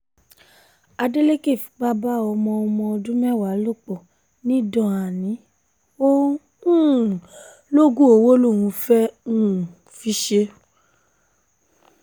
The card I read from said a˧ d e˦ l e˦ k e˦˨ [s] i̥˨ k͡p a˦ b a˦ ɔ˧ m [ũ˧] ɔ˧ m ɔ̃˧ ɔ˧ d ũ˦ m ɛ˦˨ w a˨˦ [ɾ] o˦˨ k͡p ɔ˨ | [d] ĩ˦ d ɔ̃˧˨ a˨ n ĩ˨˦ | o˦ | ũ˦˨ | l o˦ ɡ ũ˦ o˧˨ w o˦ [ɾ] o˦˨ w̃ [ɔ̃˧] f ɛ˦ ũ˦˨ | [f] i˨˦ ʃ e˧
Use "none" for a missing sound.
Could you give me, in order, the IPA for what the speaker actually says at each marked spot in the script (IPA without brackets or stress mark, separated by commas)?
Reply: f, ɔ̃˧, l, n, l, ũ˧, f